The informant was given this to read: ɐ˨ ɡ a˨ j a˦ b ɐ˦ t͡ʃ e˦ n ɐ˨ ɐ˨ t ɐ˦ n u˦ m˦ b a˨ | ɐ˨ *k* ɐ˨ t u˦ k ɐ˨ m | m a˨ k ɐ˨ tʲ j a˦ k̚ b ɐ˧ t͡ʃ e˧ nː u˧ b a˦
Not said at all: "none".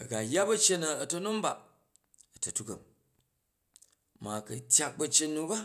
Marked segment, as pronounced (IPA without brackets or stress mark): t